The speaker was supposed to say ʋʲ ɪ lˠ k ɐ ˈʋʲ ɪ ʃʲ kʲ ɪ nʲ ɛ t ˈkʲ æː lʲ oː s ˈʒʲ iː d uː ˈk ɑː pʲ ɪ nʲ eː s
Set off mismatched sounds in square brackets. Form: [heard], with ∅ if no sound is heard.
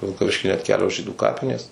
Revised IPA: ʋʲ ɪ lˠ k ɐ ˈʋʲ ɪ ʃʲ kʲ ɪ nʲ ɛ t ˈkʲ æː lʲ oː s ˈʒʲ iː d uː ˈk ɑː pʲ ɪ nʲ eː s

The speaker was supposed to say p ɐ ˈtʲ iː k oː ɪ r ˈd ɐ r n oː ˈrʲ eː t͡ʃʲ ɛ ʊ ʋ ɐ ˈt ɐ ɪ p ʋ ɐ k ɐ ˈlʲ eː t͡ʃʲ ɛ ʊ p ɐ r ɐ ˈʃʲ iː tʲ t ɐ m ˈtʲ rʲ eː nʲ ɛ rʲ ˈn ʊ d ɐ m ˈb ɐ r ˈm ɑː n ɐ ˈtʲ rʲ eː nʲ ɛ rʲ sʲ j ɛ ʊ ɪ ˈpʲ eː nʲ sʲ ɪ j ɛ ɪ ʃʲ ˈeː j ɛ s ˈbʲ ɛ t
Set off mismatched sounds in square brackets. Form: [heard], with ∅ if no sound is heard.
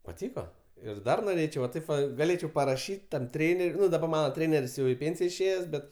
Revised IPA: p ɐ ˈtʲ iː k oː ɪ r ˈd ɐ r n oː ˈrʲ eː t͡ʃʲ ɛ ʊ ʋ ɐ ˈt ɐ ɪ p ʋ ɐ [ɡ] ɐ ˈlʲ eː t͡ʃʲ ɛ ʊ p ɐ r ɐ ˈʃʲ iː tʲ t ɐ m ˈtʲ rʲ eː nʲ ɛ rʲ ˈn ʊ d ɐ [∅] ˈb ɐ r ˈm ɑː n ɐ ˈtʲ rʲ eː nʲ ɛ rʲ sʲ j ɛ ʊ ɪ ˈpʲ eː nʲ sʲ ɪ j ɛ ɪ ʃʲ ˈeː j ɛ s ˈbʲ ɛ t

